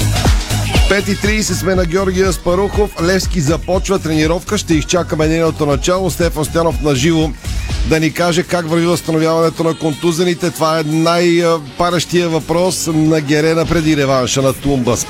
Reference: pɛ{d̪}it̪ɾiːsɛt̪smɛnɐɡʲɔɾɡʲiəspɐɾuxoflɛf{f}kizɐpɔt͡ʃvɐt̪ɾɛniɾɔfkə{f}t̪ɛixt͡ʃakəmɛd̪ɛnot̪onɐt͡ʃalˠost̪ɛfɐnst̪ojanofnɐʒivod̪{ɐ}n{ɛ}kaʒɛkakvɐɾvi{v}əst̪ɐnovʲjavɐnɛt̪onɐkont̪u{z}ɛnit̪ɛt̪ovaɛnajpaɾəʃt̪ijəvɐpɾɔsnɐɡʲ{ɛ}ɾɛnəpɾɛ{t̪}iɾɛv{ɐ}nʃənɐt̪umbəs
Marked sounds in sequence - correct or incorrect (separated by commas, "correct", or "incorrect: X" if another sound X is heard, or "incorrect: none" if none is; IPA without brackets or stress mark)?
incorrect: t̪, incorrect: s, incorrect: ʃ, correct, incorrect: i, correct, correct, correct, incorrect: d̪, incorrect: a